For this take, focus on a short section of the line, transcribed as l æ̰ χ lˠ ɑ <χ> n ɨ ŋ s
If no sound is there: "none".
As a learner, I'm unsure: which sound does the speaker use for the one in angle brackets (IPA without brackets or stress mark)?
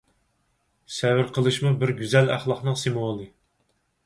χ